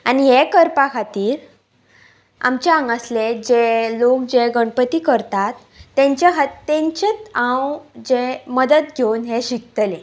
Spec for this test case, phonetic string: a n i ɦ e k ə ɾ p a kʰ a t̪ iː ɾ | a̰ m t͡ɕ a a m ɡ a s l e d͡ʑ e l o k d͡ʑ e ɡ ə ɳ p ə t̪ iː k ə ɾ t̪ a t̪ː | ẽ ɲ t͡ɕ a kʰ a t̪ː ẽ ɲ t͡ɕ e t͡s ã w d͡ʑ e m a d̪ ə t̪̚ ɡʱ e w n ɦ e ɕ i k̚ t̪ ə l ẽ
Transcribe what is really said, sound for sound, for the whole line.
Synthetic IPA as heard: a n i ɦ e k ə ɾ p a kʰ a t̪ iː ɾ | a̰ m t͡ɕ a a ŋ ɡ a s l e d͡ʑ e l o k d͡ʑ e ɡ ə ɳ p ə t̪ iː k ə ɾ t̪ a t̪ː | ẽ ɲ t͡ɕ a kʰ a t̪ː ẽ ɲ t͡ɕ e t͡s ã w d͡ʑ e m ə d̪ ə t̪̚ ɡʱ e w n ɦ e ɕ i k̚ t̪ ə l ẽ

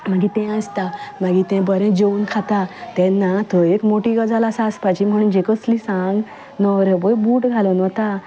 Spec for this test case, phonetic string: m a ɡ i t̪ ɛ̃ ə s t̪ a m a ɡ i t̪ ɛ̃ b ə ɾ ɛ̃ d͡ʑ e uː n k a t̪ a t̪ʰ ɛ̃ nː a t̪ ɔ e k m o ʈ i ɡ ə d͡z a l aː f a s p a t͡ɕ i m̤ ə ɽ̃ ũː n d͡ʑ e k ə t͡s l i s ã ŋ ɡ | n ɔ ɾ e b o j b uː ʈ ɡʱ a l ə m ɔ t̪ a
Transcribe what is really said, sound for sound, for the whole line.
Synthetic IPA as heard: m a ɡ i t̪ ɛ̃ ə s t̪ a m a ɡ i t̪ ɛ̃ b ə ɾ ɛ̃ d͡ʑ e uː n kʰ a t̪ a t̪ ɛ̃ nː a t̪ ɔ e k m o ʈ i ɡ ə d͡z a l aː s a s p a t͡ɕ i m̤ ə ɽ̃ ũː n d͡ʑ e k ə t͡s l i s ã ŋ ɡ | n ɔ ɾ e b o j b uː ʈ ɡʱ a l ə n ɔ t̪ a

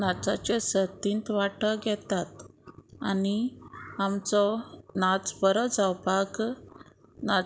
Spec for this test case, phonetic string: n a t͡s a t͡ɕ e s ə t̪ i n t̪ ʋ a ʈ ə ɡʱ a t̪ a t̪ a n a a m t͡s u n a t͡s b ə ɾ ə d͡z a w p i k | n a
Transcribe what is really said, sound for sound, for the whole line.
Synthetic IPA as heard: n a t͡s a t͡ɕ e s ə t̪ i n t̪ ʋ a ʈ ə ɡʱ ɛ t̪ a t̪ a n i a m t͡s ɔ n a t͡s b ə ɾ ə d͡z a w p a k | n a

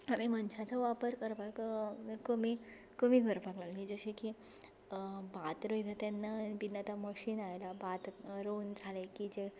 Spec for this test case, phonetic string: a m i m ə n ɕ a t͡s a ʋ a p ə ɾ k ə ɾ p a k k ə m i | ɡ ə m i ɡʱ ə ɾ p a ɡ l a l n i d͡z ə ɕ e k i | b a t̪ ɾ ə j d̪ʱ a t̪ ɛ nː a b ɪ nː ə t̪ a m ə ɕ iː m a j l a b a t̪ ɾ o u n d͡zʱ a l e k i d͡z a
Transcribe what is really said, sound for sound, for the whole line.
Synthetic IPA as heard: a m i m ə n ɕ a t͡s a ʋ a p ə ɾ k ə ɾ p a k k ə m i | k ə m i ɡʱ ə ɾ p a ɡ l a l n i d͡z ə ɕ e k i | b a t̪ ɾ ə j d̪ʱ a t̪ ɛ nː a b i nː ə t̪ a m ə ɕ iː n a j l a b a t̪ ɾ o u n d͡zʱ a l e k i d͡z e

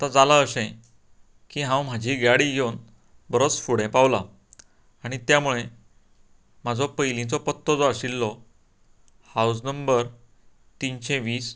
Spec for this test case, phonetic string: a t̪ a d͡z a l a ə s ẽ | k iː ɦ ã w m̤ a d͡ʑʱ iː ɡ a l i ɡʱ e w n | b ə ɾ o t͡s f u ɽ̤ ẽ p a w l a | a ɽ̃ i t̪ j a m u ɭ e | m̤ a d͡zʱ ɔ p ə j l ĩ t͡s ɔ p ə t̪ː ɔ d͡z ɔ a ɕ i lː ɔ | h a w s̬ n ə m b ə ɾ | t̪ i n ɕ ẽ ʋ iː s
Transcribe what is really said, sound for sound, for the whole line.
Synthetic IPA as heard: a t̪ a d͡z a l a ə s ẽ | k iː ɦ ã w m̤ a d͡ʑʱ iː ɡ a ɽ i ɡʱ e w n | b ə ɾ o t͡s f u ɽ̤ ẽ p a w l a | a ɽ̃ i t̪ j a m u ɭ e | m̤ a d͡zʱ ɔ p ə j l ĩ t͡s ɔ p ə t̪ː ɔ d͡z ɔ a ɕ i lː ɔ | h a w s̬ n ə m b ə ɾ | t̪ i n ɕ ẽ ʋ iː s

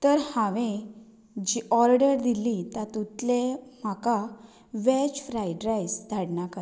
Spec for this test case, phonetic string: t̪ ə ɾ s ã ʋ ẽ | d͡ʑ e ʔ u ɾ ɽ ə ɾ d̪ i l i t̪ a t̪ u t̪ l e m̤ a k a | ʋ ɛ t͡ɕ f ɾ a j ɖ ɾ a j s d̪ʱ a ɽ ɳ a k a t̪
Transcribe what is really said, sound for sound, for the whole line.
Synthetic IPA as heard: t̪ ə ɾ h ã ʋ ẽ | d͡ʑ i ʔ ɔ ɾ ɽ ə ɾ d̪ i l i t̪ a t̪ u t̪ l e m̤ a k a | ʋ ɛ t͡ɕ f ɾ a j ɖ ɾ a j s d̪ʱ a ɽ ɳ a k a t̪

